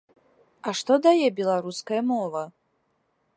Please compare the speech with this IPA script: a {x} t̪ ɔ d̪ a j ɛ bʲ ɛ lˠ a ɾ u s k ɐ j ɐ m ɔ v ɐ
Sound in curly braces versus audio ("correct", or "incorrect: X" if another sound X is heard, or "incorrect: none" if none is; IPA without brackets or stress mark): incorrect: ʂ